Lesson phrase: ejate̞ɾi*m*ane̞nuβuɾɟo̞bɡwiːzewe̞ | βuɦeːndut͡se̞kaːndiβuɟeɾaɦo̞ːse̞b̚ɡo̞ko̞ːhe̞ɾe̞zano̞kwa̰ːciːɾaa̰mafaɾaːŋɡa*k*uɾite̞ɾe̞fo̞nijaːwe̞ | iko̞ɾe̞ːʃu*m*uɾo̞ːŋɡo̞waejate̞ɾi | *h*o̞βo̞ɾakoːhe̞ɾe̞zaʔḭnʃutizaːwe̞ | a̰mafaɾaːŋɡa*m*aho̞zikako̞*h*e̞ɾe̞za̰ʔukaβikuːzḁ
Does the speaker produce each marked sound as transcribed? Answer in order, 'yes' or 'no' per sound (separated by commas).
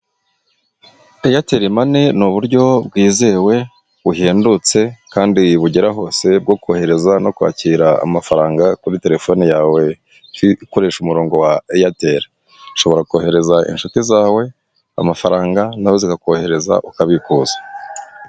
yes, yes, yes, no, no, yes